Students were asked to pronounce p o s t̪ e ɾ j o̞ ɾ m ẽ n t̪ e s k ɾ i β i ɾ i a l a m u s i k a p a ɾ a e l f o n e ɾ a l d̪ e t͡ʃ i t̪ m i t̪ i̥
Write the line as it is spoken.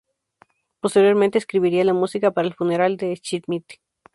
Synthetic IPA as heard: p o s t̪ e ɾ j o̞ ɾ m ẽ n t̪ e s k ɾ i β i ɾ i a l a m u s i k a p a ɾ a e l f u n e ɾ a l d̪ e t͡ʃ i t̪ m i t̪ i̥